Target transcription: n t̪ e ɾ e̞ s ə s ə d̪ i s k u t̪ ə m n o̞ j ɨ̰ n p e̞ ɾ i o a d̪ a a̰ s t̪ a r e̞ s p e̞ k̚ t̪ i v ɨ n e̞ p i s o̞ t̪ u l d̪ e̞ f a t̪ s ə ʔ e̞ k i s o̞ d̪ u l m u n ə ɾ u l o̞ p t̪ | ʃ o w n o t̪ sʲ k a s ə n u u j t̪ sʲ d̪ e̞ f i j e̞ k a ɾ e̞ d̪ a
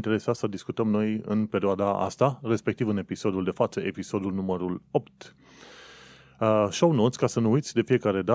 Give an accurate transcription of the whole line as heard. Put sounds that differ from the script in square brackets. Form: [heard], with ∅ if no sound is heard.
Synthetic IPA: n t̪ e ɾ e̞ s [a] s ə d̪ i s k u t̪ ə m n o̞ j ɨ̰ n p e̞ ɾ i o a d̪ a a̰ s t̪ a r e̞ s p e̞ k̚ t̪ i v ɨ n e̞ p i s o̞ [d̪] u l d̪ e̞ f a t̪ s ə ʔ e̞ [p] i s o̞ d̪ u l [n] u [m] ə ɾ u l o̞ p t̪ | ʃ o w n o t̪ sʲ k a s ə n u u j t̪ sʲ d̪ e̞ f i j e̞ k a ɾ e̞ d̪ a